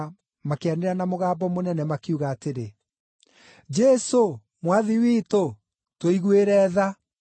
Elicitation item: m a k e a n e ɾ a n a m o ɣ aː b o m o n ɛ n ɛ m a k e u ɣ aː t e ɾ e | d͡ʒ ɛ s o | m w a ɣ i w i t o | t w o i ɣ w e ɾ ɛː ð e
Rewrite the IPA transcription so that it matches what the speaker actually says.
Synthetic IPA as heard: m a k e a n e ɾ a n a m o ɣ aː b ɔ m o n ɛ n ɛ m a k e u ɣ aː t e ɾ e | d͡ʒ ɛ s o | m w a ð i w i t o | t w o i ɣ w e ɾ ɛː ð a